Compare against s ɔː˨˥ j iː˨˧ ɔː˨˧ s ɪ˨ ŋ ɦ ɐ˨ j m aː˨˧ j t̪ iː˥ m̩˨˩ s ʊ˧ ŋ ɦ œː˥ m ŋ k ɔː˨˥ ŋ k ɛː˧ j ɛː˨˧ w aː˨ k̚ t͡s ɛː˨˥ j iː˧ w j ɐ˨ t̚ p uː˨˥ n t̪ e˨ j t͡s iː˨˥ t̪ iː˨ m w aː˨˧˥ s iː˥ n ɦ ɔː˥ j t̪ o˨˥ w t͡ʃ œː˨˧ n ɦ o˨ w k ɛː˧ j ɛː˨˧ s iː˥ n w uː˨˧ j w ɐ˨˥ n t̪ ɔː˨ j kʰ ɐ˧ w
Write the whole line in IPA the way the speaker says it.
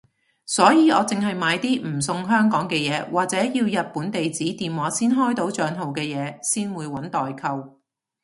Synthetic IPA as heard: s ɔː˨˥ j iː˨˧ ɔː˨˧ t͡s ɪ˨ ŋ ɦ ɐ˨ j m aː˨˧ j t̪ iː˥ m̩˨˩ s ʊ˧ ŋ ɦ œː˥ ŋ k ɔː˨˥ ŋ k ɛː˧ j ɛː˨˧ w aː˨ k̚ t͡s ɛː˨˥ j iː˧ w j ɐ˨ t̚ p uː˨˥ n t̪ e˨ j t͡s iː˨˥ t̪ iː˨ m w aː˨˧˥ s iː˥ n ɦ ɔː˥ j t̪ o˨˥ w t͡ʃ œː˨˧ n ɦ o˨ w k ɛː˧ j ɛː˨˧ s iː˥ n w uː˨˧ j w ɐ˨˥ n t̪ ɔː˨ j kʰ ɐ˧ w